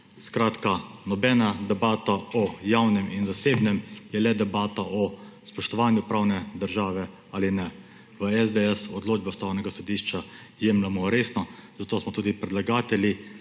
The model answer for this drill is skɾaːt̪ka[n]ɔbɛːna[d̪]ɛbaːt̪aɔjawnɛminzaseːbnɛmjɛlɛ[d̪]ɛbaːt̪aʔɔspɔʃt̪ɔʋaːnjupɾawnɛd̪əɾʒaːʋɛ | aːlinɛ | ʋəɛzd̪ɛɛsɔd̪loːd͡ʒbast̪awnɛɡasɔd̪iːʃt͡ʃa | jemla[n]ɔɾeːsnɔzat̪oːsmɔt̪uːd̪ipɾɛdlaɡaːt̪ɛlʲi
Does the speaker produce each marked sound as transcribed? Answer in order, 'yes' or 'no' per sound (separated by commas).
yes, yes, yes, no